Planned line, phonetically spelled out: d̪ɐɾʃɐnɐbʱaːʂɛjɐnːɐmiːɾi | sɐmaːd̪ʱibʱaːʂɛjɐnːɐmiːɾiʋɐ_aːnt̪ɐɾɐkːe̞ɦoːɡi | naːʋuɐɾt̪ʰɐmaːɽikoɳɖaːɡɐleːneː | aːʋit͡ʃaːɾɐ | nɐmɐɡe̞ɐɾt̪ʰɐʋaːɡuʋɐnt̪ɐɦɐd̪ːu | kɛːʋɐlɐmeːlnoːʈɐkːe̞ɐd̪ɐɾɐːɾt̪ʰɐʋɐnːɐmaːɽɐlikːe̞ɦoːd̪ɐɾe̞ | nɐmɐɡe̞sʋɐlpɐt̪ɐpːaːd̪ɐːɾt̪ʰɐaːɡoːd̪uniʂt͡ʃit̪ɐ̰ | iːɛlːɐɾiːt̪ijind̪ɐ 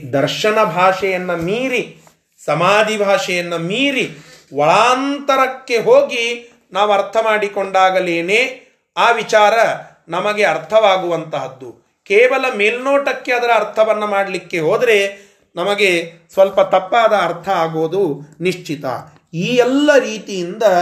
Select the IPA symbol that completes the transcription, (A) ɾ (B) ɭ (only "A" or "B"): B